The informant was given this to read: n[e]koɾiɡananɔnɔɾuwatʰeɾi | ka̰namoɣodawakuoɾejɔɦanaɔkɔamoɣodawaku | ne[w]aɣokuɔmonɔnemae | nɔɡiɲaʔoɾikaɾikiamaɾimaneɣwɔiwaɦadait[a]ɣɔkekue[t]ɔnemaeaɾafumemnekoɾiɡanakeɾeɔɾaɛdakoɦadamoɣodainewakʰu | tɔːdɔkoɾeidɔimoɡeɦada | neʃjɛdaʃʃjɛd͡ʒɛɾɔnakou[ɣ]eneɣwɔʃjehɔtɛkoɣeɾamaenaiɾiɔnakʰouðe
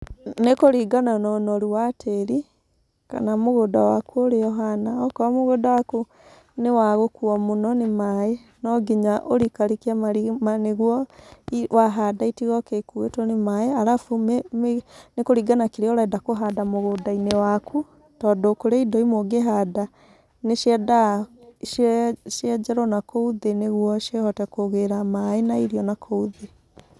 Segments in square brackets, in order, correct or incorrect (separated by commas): correct, correct, incorrect, correct, incorrect